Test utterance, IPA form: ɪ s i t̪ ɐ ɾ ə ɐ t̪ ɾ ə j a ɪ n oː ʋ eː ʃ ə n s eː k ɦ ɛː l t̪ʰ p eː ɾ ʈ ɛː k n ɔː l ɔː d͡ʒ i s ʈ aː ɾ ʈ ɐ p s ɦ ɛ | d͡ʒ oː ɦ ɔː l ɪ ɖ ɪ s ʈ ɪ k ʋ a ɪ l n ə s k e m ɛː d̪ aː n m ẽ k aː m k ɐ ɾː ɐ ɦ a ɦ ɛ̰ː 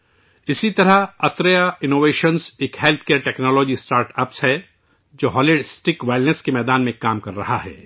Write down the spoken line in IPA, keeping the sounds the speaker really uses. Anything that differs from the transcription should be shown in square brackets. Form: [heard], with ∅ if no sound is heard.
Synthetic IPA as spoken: ɪ s i t̪ ɐ ɾ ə ɐ t̪ ɾ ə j a ɪ n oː ʋ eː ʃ ə n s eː k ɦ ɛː l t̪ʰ [k] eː ɾ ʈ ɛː k n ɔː l ɔː d͡ʒ i s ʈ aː ɾ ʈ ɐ p s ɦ ɛ | d͡ʒ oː ɦ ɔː l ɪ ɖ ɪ s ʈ ɪ k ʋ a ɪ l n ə s k e m ɛː d̪ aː n m ẽ k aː m k ɐ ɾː ɐ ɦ a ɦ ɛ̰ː